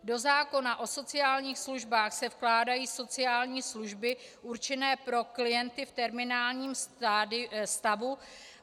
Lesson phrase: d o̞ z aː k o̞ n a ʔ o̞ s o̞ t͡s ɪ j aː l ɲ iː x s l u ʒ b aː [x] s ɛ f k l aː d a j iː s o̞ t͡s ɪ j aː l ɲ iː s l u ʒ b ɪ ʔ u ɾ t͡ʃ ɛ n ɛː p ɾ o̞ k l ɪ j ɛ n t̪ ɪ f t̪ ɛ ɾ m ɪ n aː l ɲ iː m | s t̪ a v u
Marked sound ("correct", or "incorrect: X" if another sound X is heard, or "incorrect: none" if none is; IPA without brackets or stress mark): correct